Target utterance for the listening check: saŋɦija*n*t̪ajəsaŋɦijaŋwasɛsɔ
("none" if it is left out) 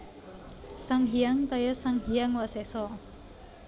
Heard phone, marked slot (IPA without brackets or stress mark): ŋ